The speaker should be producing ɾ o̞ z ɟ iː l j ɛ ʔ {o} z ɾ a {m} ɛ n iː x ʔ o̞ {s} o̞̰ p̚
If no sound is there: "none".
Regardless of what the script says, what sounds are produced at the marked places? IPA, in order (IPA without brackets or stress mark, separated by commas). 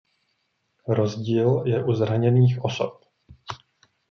u, ɲ, s